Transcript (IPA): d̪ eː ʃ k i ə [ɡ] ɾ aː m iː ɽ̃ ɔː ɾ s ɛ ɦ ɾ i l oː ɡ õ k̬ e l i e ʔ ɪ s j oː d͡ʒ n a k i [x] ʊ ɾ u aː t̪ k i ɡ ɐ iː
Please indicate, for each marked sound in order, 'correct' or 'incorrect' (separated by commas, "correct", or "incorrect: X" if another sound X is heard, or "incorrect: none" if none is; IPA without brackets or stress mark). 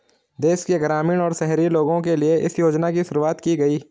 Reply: correct, incorrect: ʃ